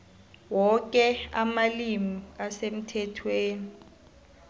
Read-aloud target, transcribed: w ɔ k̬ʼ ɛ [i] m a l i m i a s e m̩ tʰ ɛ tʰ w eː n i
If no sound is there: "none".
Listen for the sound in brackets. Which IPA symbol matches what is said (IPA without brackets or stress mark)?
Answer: a